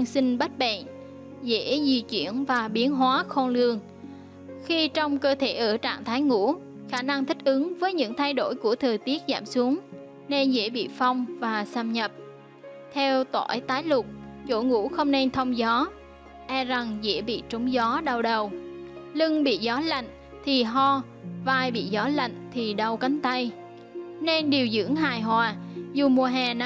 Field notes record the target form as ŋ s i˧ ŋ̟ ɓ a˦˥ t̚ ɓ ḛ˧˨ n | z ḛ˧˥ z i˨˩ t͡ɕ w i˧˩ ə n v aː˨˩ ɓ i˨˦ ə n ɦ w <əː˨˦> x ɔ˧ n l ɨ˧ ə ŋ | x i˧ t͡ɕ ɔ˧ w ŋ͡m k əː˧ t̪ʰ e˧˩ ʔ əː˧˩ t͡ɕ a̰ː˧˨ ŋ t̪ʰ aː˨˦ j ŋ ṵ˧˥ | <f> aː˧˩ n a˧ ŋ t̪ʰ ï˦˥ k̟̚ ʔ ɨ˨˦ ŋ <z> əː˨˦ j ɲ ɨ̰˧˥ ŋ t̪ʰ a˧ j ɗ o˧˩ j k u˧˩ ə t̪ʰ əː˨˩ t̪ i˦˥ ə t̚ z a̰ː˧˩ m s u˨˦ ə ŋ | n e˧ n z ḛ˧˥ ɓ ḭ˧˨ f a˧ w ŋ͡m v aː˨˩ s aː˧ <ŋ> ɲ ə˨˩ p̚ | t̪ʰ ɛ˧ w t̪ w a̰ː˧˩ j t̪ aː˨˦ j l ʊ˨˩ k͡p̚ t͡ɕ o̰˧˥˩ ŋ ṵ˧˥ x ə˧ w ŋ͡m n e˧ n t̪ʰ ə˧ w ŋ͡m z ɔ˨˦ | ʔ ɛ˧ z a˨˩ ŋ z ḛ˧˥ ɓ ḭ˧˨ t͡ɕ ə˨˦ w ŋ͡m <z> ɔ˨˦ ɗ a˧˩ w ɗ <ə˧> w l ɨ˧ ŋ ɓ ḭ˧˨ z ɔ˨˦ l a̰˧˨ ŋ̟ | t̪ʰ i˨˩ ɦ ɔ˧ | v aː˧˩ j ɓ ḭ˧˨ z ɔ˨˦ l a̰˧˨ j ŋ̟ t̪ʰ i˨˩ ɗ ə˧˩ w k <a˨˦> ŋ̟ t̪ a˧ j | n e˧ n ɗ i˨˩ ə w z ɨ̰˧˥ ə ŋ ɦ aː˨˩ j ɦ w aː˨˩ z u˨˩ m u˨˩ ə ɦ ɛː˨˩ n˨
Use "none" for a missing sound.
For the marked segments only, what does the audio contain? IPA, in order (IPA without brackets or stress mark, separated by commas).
aː˨˦, x, v, m, z, ə˨˩, a˨˦